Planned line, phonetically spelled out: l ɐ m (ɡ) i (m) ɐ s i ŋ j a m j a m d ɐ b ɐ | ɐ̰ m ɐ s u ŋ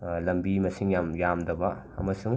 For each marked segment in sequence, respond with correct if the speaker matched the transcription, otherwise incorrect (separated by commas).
incorrect, correct